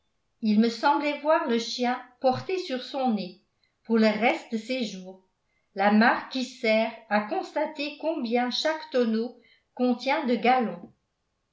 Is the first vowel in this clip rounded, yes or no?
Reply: no